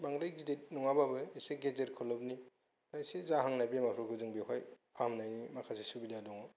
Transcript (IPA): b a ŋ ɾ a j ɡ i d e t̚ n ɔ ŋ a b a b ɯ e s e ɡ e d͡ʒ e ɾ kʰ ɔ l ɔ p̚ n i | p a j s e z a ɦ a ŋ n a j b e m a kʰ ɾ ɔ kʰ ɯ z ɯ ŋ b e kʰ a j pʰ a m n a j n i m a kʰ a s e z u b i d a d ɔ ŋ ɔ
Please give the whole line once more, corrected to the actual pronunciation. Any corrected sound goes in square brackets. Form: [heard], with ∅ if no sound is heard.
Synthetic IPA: b a ŋ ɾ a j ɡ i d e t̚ n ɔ ŋ a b a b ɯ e s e ɡ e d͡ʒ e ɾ kʰ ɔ l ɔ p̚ n i | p a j s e z a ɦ a ŋ n a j b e m a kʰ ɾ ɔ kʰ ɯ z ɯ ŋ b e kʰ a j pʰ a m n a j n i m a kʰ a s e [s] u b i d a d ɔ ŋ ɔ